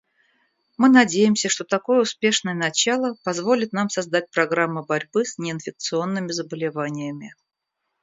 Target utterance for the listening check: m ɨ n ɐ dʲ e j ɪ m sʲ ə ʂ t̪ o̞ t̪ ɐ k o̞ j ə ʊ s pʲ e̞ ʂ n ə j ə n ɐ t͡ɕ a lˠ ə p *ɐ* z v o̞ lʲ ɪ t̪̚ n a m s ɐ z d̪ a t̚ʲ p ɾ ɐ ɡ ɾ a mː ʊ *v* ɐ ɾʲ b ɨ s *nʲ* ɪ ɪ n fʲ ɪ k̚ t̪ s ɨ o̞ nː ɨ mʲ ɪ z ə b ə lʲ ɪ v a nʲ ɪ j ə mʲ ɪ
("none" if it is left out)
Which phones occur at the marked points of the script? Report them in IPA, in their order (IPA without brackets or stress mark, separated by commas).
ɐ, b, nʲ